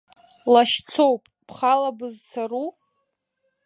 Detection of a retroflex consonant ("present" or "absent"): absent